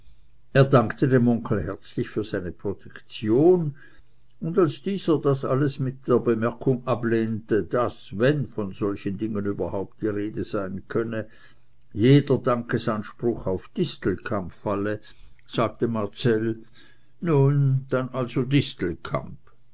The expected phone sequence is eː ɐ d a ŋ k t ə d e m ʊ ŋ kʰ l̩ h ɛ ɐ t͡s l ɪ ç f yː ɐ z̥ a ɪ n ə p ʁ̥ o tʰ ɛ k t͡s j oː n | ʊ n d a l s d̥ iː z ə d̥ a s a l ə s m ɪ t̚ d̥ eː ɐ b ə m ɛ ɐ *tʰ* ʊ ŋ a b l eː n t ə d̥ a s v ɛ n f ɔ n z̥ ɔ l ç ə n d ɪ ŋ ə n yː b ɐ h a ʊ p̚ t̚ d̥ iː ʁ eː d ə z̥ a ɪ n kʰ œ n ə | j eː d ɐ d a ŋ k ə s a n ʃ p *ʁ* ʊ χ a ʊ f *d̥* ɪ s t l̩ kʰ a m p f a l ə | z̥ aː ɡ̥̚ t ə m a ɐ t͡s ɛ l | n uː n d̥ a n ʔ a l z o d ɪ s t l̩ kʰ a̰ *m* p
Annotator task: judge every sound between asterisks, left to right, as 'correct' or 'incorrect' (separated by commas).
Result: incorrect, correct, correct, correct